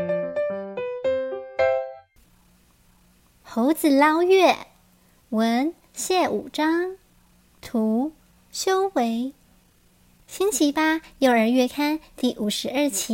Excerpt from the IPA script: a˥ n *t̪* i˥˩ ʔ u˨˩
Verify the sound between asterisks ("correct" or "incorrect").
correct